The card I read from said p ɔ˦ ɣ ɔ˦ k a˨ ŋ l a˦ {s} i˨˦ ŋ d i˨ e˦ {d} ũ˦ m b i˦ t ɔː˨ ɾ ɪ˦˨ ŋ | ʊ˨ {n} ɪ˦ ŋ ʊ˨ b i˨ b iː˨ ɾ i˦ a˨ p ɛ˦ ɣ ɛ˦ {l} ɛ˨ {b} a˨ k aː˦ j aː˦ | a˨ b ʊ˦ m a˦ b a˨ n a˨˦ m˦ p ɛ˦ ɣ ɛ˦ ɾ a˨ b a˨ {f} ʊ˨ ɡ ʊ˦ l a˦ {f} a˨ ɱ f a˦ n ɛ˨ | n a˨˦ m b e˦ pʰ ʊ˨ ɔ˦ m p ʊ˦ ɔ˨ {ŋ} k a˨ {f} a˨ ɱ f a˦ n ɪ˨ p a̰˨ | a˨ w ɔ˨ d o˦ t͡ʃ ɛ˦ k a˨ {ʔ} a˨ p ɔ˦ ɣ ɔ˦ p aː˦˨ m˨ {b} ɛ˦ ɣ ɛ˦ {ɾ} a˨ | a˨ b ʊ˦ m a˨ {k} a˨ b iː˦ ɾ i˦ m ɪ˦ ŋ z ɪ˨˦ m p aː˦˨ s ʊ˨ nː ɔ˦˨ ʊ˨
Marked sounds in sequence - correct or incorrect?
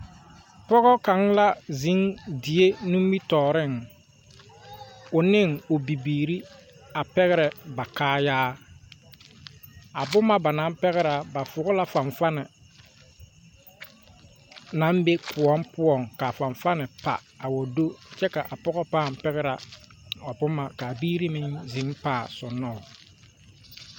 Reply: incorrect: z, incorrect: n, correct, incorrect: ɾ, correct, correct, correct, correct, correct, correct, incorrect: p, correct, correct

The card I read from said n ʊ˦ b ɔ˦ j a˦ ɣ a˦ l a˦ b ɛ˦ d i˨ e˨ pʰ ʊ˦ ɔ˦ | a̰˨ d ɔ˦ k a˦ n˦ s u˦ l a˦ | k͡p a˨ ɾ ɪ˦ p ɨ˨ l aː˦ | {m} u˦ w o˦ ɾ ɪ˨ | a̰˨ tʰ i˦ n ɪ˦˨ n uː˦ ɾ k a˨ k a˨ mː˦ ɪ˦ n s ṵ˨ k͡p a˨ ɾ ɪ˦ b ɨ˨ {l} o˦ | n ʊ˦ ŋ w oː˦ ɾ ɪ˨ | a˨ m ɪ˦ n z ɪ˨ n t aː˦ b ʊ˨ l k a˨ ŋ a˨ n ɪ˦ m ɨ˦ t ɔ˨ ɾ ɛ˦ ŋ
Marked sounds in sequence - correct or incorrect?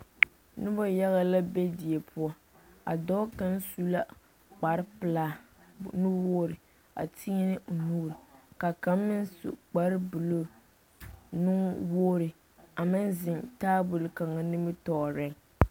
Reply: incorrect: n, correct

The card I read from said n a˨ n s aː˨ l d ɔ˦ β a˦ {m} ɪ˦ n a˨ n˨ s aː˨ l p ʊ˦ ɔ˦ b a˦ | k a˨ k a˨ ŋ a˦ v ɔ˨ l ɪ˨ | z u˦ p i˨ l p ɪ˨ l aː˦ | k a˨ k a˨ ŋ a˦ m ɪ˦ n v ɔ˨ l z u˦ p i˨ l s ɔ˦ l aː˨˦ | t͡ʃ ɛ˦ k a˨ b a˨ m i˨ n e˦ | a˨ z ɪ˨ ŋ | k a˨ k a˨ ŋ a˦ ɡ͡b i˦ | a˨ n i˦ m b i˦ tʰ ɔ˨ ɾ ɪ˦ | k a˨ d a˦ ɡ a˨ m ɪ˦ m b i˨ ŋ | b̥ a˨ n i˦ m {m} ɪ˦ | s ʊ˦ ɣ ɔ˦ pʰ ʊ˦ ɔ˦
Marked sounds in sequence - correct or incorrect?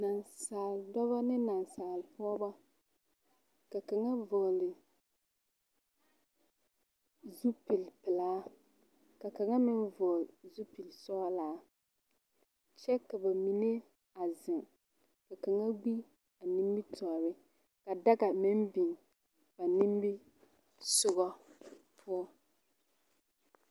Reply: incorrect: n, incorrect: b

